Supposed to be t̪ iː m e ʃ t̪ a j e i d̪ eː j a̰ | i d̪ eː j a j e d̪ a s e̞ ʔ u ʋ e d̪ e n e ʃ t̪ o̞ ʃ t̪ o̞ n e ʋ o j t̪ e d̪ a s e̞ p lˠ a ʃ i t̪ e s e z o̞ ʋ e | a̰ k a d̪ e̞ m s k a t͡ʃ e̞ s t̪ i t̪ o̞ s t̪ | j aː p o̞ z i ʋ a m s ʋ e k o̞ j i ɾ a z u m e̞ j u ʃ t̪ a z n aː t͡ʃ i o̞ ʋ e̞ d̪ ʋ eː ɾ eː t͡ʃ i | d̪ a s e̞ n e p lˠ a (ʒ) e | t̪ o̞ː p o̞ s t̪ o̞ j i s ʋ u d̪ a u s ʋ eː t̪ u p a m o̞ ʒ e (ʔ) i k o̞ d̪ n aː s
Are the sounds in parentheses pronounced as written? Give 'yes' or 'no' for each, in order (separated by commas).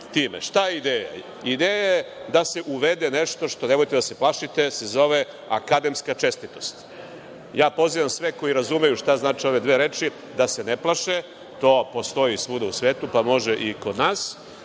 no, yes